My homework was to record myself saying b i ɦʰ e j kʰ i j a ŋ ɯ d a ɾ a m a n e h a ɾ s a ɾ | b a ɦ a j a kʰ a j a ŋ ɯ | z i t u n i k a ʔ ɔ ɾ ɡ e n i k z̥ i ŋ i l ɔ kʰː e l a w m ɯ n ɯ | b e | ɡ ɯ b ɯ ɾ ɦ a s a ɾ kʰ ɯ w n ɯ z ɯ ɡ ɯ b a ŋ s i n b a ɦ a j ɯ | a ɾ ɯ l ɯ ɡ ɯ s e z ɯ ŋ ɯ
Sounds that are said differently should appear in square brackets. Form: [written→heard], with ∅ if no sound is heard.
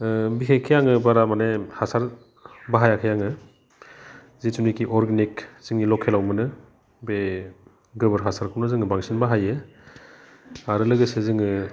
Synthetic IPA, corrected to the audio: b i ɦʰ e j kʰ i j a ŋ ɯ [d→b] a ɾ a m a n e h a [ɾ→∅] s a ɾ | b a ɦ a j a kʰ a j a ŋ ɯ | z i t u n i k [a→i] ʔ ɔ ɾ ɡ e n i k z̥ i ŋ i l ɔ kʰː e l a w m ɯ n ɯ | b e | ɡ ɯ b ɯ ɾ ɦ a s a ɾ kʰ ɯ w n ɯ z ɯ [ɡ→ŋ] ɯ b a ŋ s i n b a ɦ a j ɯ | a ɾ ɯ l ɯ ɡ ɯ s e z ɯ ŋ ɯ